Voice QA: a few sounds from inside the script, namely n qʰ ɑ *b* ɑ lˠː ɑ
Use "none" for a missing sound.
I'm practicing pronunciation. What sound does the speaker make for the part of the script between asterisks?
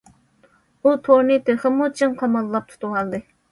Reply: m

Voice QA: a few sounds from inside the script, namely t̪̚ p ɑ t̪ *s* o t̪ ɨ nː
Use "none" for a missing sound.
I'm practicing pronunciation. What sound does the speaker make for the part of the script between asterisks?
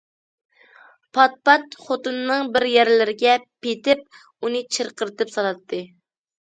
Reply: χ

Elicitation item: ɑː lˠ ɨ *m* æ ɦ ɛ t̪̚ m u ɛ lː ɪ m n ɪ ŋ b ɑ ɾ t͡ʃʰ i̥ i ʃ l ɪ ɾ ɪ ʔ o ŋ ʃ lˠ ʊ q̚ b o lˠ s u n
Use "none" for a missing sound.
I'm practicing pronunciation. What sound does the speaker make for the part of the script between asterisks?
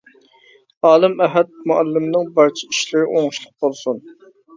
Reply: m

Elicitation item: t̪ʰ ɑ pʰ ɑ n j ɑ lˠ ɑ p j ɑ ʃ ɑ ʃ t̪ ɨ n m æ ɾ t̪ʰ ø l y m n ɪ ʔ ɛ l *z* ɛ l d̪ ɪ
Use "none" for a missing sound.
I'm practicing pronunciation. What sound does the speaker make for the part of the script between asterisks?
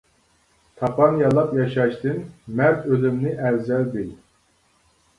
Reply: z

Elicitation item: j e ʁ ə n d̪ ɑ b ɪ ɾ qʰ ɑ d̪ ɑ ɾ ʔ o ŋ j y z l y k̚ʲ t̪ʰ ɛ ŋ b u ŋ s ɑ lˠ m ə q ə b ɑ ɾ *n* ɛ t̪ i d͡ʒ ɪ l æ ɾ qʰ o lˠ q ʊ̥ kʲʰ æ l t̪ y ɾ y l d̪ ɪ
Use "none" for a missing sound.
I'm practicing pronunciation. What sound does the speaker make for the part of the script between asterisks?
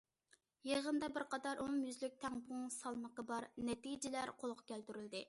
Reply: n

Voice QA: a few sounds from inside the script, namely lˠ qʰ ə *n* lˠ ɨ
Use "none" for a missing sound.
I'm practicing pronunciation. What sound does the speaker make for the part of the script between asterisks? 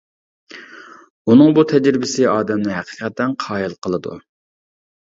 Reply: none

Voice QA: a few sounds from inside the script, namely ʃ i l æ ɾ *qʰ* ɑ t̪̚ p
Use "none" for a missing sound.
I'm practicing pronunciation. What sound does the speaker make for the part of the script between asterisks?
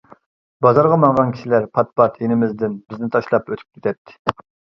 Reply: pʰ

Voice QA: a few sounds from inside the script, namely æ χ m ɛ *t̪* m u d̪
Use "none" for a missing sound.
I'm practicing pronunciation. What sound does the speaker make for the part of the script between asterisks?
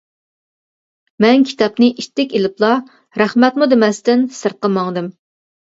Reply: t̪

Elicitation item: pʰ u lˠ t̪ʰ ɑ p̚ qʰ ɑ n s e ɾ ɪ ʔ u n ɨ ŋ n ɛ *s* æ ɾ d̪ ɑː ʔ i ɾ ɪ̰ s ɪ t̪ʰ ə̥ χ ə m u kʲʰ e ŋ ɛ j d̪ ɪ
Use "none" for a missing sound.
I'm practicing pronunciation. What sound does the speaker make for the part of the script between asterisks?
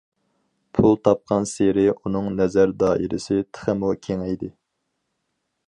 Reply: z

